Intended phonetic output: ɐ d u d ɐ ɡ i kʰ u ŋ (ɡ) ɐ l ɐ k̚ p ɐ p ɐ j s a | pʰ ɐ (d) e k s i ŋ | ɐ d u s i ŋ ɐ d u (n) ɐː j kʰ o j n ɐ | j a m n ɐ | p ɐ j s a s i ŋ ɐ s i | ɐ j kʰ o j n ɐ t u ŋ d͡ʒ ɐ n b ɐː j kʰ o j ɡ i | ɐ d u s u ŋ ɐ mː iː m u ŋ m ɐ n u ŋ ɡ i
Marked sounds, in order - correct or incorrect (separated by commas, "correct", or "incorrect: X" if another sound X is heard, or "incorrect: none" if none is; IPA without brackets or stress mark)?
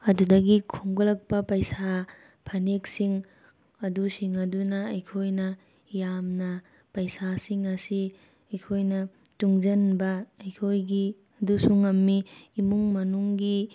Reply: correct, incorrect: n, correct